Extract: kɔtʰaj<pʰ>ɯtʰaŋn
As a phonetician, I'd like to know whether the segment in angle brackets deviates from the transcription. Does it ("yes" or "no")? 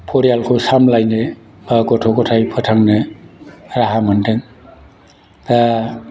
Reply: no